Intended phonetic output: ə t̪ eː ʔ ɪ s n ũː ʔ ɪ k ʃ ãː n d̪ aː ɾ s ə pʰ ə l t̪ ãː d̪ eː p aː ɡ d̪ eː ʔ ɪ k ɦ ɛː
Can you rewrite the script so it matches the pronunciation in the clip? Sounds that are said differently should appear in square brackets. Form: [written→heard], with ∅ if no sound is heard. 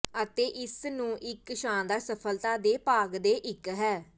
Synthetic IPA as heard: ə t̪ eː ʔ ɪ s n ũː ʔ ɪ k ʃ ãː n d̪ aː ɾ s ə pʰ ə l t̪ [ãː→aː] d̪ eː p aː ɡ d̪ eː ʔ ɪ k ɦ ɛː